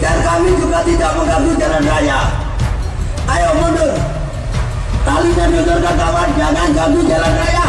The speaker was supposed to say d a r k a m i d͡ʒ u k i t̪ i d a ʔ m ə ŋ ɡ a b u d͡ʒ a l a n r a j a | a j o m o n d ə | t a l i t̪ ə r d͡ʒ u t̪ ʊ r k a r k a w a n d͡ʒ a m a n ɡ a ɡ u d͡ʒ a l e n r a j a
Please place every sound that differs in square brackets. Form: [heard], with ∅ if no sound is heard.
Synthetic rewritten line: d a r k a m i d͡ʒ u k [a] t̪ i d a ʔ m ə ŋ ɡ a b u d͡ʒ a l a n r a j a | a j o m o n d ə | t a l i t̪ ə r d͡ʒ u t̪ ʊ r k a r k a w a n d͡ʒ a [ŋ] a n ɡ a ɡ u d͡ʒ a l [a] n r a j a